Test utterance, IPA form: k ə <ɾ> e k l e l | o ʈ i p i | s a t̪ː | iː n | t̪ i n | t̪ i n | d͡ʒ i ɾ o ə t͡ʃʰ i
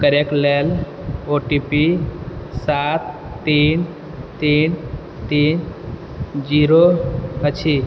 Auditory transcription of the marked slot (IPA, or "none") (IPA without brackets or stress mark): ɾ